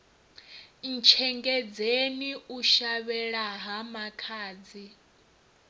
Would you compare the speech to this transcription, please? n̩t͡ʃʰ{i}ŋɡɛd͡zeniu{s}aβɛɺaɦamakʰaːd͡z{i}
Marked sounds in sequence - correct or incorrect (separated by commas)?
incorrect, incorrect, correct